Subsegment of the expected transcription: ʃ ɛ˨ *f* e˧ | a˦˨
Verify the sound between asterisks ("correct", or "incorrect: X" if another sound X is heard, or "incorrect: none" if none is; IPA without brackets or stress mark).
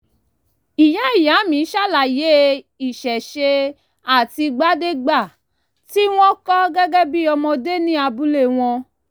incorrect: ʃ